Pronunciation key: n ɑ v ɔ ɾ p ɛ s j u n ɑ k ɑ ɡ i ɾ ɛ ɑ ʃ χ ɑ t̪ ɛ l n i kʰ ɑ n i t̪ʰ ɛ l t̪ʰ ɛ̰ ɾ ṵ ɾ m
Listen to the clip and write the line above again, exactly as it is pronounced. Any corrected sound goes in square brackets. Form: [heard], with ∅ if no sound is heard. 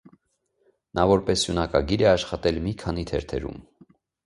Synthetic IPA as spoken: n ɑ v ɔ ɾ p ɛ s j u n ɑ k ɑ ɡ i ɾ ɛ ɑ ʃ χ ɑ t̪ ɛ l [m] i kʰ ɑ n i t̪ʰ ɛ [ɾ] t̪ʰ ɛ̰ ɾ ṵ [∅] m

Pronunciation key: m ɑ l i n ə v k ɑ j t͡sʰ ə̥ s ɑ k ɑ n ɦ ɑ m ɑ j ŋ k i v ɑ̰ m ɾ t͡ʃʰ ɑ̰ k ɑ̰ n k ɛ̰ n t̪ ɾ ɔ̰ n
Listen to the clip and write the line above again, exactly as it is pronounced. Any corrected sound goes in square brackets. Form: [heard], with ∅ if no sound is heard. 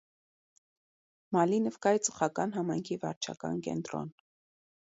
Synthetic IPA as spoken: m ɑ l i n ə v k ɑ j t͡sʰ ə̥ [χ] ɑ k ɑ n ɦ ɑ m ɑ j ŋ [kʰ] i v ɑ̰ [∅] ɾ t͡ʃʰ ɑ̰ k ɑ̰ n k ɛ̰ n t̪ ɾ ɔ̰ n

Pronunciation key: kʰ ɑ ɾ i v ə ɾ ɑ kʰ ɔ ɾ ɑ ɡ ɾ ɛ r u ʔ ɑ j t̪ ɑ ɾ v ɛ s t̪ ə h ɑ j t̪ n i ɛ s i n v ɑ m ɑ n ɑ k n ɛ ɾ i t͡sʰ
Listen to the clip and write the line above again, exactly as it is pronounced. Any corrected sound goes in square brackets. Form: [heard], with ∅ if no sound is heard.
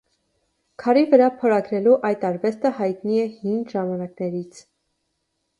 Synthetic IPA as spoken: kʰ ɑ ɾ i v ə ɾ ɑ [pʰ] ɔ ɾ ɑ ɡ ɾ ɛ [l] u ʔ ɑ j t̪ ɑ ɾ v ɛ s t̪ ə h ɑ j t̪ n i ɛ [h] i n [ʒ] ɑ m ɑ n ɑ k n ɛ ɾ i t͡sʰ

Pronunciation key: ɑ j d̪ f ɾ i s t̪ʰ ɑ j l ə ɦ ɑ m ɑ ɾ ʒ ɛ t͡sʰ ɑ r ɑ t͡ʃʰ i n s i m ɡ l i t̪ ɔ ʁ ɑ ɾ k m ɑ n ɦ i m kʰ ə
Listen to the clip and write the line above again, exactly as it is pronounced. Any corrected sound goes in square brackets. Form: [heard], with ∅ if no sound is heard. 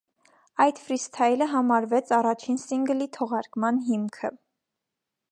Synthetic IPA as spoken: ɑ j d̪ f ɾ i s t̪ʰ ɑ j l ə ɦ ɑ m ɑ ɾ [v] ɛ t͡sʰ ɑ r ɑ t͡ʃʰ i n s i [ŋ] ɡ l i [t̪ʰ] ɔ ʁ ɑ ɾ k m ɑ n ɦ i m kʰ ə

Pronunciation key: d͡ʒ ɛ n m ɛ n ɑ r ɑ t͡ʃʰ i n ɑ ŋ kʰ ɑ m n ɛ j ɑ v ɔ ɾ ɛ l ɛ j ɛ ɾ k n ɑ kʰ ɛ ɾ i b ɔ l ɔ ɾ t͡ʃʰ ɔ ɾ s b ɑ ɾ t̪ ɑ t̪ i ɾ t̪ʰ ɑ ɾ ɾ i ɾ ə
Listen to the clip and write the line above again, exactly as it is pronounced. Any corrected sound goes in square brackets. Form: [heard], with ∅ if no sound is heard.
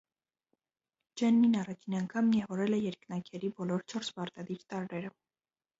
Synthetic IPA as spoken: d͡ʒ ɛ n m [i] n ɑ r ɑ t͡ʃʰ i n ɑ ŋ kʰ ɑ m n [i] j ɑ v ɔ ɾ ɛ l ɛ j ɛ ɾ k n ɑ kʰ ɛ ɾ i b ɔ l ɔ ɾ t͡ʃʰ ɔ ɾ s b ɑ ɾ t̪ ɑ [d̪] i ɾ [t̪] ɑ ɾ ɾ [ɛ] ɾ ə

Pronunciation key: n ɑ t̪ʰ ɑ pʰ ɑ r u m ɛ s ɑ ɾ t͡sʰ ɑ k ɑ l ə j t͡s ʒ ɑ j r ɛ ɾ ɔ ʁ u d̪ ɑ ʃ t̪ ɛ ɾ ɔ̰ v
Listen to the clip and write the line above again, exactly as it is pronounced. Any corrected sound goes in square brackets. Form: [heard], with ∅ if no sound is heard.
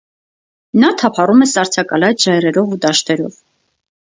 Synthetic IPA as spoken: n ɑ t̪ʰ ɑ pʰ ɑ r u m ɛ s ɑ ɾ t͡sʰ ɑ k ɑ l [ɑ] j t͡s ʒ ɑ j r ɛ ɾ ɔ [v] u d̪ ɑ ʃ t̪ ɛ ɾ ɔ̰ v

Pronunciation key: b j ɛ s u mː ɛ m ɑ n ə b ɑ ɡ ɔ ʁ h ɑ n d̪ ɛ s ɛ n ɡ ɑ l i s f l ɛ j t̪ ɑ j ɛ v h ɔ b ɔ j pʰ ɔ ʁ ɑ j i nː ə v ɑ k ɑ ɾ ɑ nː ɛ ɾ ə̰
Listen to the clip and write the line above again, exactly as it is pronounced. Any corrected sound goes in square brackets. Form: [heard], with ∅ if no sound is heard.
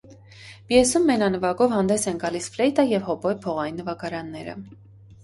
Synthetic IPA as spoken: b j ɛ s u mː ɛ [n] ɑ n ə [v] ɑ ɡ ɔ [v] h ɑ n d̪ ɛ s ɛ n ɡ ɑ l i s f l ɛ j t̪ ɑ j ɛ v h ɔ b ɔ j pʰ ɔ ʁ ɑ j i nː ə v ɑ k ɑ ɾ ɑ nː ɛ ɾ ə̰

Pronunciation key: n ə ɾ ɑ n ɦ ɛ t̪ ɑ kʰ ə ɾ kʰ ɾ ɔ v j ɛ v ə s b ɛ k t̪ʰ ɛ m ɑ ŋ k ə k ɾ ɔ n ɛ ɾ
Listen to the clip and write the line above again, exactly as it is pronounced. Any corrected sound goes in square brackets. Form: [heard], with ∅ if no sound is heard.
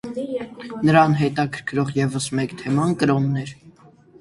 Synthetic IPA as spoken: n ə ɾ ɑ n ɦ ɛ t̪ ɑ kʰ ə ɾ kʰ ɾ ɔ [ʁ] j ɛ v ə s [m] ɛ k t̪ʰ ɛ m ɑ [n] k ə [∅] ɾ ɔ [nː] ɛ ɾ

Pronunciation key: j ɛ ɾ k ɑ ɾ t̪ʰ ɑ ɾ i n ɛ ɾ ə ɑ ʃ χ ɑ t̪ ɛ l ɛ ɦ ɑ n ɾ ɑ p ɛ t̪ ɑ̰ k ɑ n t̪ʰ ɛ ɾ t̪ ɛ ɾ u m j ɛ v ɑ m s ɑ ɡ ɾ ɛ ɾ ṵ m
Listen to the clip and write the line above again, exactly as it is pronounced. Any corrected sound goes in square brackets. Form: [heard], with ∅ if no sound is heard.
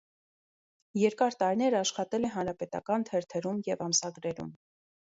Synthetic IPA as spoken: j ɛ ɾ k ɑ ɾ [t̪] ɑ ɾ i n ɛ ɾ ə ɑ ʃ χ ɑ t̪ ɛ l ɛ ɦ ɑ n ɾ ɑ p ɛ t̪ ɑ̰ k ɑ n t̪ʰ ɛ ɾ [t̪ʰ] ɛ ɾ u m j ɛ v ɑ m s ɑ ɡ ɾ ɛ ɾ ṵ m

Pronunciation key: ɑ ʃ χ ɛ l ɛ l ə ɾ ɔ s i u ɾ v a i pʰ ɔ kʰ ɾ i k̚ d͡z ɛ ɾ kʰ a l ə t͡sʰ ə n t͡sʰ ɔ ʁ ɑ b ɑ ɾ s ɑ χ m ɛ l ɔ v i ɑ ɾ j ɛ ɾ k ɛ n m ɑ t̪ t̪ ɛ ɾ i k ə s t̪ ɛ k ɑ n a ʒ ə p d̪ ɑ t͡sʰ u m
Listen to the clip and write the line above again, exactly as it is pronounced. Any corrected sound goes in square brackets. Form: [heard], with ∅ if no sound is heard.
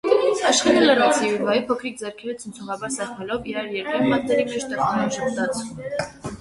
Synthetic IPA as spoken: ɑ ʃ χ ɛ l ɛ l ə ɾ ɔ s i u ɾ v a i pʰ ɔ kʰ ɾ i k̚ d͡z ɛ ɾ kʰ [ɛ] l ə t͡sʰ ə n t͡sʰ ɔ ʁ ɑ b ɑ ɾ s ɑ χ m ɛ l ɔ v i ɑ ɾ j ɛ ɾ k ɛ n m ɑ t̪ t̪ ɛ ɾ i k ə [ʃ] t̪ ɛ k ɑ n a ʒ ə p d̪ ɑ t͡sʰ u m

